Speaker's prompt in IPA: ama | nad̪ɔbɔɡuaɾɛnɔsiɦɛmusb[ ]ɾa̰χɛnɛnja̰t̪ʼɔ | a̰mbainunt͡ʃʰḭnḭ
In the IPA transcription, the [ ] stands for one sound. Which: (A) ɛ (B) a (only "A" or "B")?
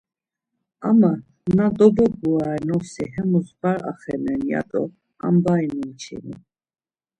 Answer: B